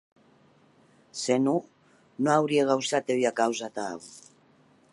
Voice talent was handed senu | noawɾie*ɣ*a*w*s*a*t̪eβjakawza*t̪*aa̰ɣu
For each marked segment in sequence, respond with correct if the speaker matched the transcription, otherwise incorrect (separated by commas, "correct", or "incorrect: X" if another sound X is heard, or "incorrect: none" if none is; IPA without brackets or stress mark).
correct, correct, correct, correct